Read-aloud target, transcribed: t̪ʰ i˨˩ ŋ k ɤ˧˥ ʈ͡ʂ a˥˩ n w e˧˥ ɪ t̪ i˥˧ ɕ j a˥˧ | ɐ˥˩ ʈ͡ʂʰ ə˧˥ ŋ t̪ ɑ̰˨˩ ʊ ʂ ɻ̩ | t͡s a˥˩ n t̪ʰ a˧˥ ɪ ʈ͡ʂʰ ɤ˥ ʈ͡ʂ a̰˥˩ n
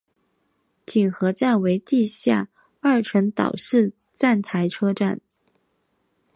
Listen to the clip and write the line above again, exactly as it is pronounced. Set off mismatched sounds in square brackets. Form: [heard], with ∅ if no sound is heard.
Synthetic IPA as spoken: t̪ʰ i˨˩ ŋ [x] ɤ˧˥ ʈ͡ʂ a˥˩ n w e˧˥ ɪ t̪ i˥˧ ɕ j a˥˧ | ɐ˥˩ ʈ͡ʂʰ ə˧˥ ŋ t̪ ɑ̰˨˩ ʊ ʂ ɻ̩ | t͡s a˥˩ n t̪ʰ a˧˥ ɪ ʈ͡ʂʰ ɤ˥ ʈ͡ʂ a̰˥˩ n